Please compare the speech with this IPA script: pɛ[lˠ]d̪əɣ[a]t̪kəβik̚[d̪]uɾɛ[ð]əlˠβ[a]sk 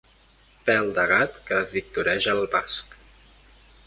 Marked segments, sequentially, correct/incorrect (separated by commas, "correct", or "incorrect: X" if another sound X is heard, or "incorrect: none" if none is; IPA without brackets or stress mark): correct, correct, incorrect: t̪, incorrect: ʒ, correct